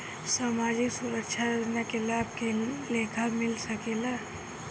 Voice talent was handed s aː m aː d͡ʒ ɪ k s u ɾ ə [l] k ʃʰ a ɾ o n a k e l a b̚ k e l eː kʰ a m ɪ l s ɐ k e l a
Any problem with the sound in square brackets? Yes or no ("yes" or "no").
yes